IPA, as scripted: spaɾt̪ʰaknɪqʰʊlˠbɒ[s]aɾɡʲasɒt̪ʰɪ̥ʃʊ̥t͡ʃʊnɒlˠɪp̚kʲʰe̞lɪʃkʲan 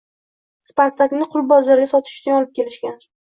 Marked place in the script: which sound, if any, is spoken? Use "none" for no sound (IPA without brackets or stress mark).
z